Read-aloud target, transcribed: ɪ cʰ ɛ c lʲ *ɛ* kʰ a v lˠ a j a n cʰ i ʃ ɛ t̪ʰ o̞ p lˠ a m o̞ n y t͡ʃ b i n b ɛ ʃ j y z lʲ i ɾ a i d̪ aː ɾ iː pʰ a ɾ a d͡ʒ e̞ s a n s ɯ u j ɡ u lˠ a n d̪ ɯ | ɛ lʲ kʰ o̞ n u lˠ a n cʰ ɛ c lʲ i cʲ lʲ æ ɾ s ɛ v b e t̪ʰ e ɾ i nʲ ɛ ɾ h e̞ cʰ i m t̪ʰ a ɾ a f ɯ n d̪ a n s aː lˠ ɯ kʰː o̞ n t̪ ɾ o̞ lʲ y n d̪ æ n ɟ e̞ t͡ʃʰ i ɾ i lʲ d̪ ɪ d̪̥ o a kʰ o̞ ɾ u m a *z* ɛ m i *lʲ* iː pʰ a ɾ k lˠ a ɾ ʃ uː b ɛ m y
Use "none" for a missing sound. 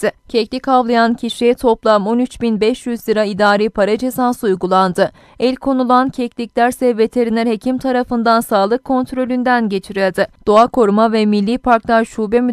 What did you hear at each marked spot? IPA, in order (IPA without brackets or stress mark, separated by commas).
i, v, lʲː